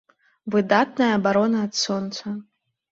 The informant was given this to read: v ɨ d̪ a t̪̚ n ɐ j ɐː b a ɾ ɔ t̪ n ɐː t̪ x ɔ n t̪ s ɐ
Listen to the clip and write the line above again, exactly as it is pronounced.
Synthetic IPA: v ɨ d̪ a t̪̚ n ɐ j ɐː b a ɾ ɔ n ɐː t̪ s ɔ n t̪ s ɐ